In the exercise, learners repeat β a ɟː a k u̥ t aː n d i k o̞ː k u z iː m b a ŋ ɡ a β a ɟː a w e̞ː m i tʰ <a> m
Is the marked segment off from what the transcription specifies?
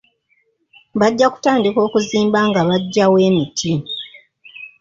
yes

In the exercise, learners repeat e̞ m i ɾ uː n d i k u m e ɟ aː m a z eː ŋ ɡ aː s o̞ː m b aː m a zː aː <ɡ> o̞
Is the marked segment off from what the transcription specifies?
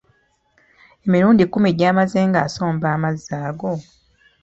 no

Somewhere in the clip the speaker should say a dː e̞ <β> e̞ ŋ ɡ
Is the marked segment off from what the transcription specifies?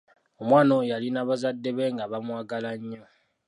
no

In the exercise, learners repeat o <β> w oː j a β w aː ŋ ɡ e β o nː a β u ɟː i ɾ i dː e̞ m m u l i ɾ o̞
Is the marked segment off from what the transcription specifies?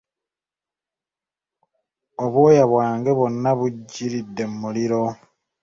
no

